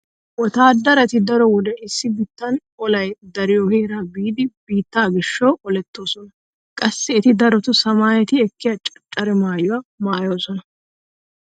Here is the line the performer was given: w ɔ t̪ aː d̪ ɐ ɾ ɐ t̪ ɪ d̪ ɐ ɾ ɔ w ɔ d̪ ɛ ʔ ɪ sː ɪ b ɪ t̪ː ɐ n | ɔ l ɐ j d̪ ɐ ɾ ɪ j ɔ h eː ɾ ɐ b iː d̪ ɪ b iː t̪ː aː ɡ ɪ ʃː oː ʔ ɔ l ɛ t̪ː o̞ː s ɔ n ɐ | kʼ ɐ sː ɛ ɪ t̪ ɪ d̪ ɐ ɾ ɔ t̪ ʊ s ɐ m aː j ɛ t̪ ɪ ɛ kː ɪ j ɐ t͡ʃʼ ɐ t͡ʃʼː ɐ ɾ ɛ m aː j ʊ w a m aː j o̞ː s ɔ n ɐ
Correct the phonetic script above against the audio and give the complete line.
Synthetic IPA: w ɔ t̪ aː d̪ ɐ ɾ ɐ t̪ ɪ d̪ ɐ ɾ ɔ w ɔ d̪ ɛ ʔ ɪ sː ɪ b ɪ t̪ː ɐ n | ɔ l ɐ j d̪ ɐ ɾ ɪ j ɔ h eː ɾ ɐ b iː d̪ ɪ b iː t̪ː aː ɡ ɪ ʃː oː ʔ ɔ l ɛ t̪ː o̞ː s ɔ n ɐ | kʼ ɐ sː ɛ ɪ t̪ ɪ d̪ ɐ ɾ ɔ t̪ ʊ s ɐ m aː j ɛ t̪ ɪ ɛ kː ɪ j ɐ t͡ʃʼ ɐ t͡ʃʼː ɐ ɾ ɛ m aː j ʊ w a m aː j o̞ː s ɔ n ɐ